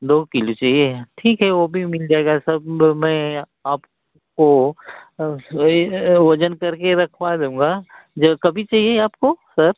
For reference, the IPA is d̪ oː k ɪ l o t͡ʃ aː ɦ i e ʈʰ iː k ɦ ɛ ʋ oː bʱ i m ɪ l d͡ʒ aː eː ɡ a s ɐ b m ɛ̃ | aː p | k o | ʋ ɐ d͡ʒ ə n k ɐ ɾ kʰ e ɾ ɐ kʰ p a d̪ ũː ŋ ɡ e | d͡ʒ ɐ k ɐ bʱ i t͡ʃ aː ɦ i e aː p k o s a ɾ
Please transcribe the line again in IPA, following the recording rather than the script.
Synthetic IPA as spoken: d̪ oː k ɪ l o t͡ʃ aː ɦ i e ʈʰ iː k ɦ ɛ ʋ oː bʱ i m ɪ l d͡ʒ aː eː ɡ a s ɐ b m ɛ̃ | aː p | k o | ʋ ɐ d͡ʒ ə n k ɐ ɾ k e ɾ ɐ kʰ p a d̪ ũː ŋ ɡ a | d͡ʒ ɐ k ɐ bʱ i t͡ʃ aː ɦ i e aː p k o s ɐ ɾ